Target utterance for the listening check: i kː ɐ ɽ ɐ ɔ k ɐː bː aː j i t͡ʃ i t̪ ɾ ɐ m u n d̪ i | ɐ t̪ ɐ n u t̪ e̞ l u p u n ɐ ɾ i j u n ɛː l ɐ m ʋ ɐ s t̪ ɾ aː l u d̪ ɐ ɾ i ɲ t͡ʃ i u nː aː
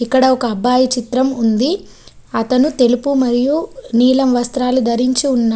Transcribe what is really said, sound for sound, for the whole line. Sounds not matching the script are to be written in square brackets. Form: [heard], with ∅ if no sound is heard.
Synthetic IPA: i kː ɐ ɽ ɐ ɔ k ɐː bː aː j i t͡ʃ i t̪ ɾ ɐ m u n d̪ i | ɐ t̪ ɐ n u t̪ e̞ l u p u [m] ɐ ɾ i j u n [iː] l ɐ m ʋ ɐ s t̪ ɾ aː l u d̪ ɐ ɾ i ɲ t͡ʃ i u nː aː